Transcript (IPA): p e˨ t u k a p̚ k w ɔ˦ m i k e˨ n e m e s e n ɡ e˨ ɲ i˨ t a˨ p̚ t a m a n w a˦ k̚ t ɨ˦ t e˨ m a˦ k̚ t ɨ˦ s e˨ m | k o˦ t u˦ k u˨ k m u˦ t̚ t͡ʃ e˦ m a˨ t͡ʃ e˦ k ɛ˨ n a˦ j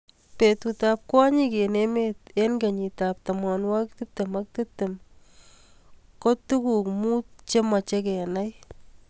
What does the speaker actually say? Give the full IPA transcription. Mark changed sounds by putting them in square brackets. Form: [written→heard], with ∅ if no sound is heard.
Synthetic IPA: p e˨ t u [k→t] a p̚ k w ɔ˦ [m→ɲ] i k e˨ n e m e [s→t] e n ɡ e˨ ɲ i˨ t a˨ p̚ t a m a n w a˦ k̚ t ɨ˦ t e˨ m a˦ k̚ t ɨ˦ [s→t] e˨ m | k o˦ t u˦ k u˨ k m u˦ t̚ t͡ʃ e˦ m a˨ t͡ʃ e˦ k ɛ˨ n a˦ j

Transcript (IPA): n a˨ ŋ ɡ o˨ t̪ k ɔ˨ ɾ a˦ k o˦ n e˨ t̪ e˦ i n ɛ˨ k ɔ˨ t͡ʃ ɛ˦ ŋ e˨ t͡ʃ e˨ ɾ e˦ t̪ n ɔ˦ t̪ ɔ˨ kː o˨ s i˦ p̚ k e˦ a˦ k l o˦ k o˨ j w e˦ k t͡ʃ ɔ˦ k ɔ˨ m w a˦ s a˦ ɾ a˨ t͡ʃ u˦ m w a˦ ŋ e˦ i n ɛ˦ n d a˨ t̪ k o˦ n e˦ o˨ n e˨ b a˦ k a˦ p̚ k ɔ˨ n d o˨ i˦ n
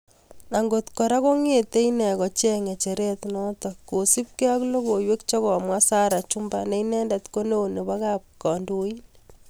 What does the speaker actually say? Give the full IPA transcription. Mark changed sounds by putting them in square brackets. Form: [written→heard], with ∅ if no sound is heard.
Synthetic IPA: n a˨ ŋ ɡ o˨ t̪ k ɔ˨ ɾ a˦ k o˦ [n→ŋ] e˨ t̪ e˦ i n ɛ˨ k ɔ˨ t͡ʃ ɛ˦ ŋ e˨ t͡ʃ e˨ ɾ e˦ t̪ n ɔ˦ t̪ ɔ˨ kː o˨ s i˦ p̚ k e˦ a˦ k l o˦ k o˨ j w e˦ k t͡ʃ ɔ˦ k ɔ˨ m w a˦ s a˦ ɾ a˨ t͡ʃ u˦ m [w→b] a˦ [ŋ→n] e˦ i n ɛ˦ n d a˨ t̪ k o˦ n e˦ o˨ n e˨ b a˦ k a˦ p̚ k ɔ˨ n d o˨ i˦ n

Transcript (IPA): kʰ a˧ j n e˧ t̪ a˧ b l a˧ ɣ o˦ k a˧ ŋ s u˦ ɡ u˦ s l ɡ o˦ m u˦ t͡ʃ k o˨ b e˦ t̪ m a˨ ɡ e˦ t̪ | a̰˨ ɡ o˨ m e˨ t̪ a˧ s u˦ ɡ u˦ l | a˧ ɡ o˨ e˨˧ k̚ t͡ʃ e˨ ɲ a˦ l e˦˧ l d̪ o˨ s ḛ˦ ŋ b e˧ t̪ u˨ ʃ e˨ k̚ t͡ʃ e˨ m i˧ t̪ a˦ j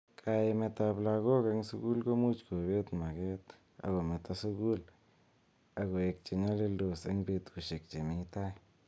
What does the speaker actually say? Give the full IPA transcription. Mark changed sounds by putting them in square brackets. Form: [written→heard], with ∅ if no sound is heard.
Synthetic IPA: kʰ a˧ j [n→m] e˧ t̪ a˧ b l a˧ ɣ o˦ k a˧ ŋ s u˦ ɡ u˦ [s→∅] l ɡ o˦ m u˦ t͡ʃ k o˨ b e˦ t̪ m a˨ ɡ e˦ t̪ | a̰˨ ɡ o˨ m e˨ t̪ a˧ s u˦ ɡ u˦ l | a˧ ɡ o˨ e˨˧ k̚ t͡ʃ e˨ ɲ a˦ l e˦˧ l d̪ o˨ s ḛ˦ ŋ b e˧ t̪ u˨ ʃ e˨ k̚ t͡ʃ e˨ m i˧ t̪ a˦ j

